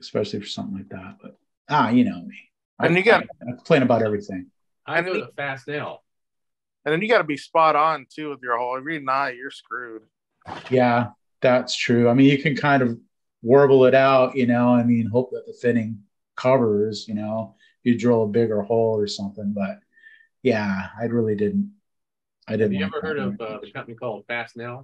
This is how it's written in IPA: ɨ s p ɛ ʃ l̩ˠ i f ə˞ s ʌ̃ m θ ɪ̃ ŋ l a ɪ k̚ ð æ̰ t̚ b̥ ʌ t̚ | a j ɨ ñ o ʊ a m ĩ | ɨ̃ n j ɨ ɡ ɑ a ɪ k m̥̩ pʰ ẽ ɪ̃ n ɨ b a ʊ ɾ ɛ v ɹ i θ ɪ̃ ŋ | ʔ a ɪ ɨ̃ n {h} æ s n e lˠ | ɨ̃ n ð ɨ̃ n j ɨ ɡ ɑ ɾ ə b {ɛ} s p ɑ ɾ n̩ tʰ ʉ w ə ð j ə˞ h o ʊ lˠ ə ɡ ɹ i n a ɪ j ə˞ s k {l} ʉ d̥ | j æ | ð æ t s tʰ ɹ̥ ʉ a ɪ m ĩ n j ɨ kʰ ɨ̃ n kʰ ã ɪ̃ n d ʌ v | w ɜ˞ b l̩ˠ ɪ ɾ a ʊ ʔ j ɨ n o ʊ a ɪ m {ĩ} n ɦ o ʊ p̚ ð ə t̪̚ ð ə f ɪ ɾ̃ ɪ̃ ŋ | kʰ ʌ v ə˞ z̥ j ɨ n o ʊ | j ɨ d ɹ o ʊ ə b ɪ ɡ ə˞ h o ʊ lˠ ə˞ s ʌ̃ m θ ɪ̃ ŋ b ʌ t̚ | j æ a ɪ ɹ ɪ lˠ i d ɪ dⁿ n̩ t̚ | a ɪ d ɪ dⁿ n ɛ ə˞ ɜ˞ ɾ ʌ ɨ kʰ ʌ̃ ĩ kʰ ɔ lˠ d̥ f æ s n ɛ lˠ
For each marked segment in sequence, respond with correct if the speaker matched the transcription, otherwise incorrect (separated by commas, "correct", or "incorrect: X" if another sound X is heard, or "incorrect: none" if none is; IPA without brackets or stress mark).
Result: incorrect: f, incorrect: i, incorrect: ɹ, correct